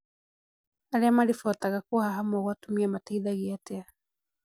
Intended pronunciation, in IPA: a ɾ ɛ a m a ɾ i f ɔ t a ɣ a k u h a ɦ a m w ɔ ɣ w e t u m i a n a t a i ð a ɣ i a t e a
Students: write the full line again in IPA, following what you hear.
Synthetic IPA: a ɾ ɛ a m a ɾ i f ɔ t a ɣ a k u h a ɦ a m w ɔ ɣ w a t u m i a m a t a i ð a ɣ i a t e a